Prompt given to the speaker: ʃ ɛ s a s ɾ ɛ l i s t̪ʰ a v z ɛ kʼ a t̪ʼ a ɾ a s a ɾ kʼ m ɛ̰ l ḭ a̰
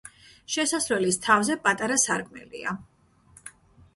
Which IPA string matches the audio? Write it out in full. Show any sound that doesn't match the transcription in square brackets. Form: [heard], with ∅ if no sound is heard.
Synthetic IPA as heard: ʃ ɛ s a s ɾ ɛ l i s t̪ʰ a v z ɛ [pʼ] a t̪ʼ a ɾ a s a ɾ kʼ m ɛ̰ l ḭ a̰